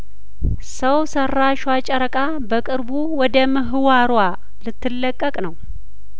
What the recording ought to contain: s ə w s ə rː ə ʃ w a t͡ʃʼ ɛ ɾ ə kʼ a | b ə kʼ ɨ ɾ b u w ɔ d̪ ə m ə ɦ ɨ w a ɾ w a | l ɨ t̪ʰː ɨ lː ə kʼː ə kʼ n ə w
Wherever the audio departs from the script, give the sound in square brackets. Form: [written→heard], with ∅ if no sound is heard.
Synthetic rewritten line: s ə w s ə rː [ə→a] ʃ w a t͡ʃʼ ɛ ɾ ə kʼ a | b ə kʼ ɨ ɾ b u w ɔ d̪ ə m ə ɦ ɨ w a ɾ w a | l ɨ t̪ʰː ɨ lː ə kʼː ə kʼ n ə w